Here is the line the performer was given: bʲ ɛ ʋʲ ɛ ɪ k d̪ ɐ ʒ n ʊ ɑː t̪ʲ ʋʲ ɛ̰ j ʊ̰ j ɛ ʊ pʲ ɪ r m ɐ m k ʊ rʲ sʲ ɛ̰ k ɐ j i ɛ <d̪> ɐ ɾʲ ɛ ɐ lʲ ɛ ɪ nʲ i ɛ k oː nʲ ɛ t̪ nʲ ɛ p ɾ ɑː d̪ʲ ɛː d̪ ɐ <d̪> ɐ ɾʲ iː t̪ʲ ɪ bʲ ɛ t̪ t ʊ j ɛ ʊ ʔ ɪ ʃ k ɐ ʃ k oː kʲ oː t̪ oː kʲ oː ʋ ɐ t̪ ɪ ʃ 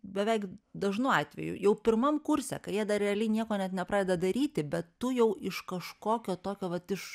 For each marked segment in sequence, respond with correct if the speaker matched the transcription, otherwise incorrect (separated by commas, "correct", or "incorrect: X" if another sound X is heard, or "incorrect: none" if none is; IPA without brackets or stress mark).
correct, correct